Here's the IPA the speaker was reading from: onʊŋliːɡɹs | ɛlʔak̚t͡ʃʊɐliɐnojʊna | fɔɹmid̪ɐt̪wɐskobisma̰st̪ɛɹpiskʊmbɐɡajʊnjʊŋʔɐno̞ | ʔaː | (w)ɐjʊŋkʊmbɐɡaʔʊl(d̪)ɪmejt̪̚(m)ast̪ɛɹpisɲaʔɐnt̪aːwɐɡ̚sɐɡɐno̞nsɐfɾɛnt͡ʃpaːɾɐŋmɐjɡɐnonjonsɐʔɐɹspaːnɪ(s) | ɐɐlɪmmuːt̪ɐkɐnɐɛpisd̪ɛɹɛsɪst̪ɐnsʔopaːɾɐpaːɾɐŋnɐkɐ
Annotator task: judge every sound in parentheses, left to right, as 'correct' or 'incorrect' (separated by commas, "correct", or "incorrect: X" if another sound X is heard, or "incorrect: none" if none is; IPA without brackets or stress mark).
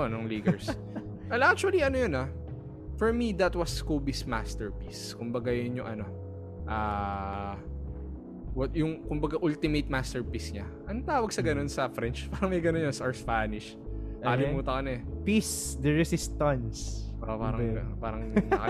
correct, incorrect: t̪, correct, incorrect: ʃ